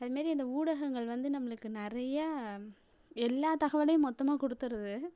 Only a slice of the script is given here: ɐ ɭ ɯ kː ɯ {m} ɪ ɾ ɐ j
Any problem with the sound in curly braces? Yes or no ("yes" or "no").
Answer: yes